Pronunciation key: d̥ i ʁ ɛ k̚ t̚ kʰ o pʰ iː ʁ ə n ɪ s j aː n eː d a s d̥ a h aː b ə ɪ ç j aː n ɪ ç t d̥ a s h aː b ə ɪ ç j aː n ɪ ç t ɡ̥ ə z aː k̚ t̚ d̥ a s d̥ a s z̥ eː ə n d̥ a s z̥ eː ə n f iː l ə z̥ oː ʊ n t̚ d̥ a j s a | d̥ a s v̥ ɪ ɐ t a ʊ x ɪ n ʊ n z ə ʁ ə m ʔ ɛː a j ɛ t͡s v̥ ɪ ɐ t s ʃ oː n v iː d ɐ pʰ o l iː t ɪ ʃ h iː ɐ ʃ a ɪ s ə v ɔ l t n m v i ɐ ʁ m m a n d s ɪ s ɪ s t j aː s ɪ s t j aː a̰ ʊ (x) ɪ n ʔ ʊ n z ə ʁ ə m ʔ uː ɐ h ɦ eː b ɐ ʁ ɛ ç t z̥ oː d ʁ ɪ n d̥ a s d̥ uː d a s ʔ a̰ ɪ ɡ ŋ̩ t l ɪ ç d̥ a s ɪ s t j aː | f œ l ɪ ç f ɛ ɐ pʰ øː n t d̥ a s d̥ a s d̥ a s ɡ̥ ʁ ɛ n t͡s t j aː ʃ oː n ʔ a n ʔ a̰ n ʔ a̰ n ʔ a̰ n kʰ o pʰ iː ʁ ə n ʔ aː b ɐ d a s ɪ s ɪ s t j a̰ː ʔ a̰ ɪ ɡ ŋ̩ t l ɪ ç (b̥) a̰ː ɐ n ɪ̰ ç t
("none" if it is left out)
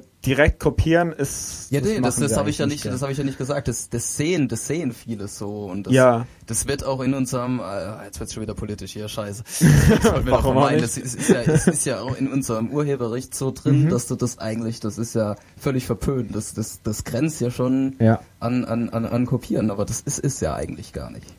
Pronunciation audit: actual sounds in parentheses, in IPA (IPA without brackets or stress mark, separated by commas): x, ɡ̥